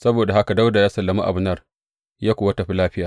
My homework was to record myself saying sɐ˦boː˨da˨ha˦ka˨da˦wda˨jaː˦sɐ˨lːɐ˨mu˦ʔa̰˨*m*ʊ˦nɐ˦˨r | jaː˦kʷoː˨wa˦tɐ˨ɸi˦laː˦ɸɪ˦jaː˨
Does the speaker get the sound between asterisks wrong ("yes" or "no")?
yes